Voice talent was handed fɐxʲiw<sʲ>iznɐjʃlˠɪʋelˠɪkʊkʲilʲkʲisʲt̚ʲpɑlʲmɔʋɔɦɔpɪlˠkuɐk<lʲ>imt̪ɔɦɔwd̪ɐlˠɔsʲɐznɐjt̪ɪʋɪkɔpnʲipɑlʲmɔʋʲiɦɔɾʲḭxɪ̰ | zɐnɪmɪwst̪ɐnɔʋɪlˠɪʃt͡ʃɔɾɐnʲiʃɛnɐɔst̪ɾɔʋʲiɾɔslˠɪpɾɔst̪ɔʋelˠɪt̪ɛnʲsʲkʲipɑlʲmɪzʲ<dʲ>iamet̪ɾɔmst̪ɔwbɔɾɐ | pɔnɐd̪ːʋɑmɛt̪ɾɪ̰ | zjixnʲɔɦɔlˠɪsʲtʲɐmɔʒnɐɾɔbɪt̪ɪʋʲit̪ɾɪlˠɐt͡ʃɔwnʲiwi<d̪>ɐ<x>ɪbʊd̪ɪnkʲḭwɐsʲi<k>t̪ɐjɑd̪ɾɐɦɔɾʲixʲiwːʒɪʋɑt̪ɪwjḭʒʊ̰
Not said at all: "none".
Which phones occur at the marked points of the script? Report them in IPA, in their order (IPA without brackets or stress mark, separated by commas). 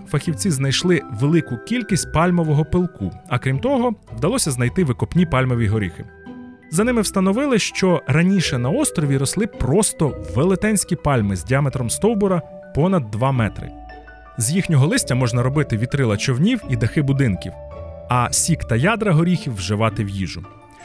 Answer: t͡sʲ, ɾʲ, dʲ, d̪, x, k